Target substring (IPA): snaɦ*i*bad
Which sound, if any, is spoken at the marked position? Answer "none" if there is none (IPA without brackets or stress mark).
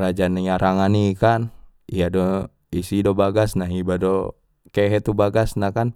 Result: i